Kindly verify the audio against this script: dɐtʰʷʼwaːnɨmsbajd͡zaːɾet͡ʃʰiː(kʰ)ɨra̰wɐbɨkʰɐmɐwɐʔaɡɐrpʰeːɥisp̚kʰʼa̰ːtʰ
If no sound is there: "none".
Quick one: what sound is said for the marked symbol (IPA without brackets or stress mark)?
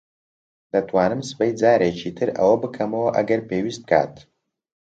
tʰ